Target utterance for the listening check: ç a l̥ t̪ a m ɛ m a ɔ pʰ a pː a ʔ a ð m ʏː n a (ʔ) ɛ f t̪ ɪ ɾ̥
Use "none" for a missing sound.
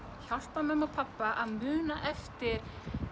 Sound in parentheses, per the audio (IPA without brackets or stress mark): ʔ